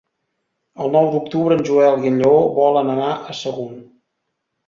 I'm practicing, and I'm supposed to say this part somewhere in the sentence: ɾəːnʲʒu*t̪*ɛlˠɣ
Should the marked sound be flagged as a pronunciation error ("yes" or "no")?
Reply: yes